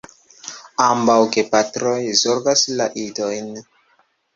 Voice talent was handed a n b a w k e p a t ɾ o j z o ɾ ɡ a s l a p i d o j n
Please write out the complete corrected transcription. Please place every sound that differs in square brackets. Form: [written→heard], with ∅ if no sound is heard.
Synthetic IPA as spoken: a [n→m] b a w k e p a t ɾ o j z o ɾ ɡ a s l a [p→ʔ] i d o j n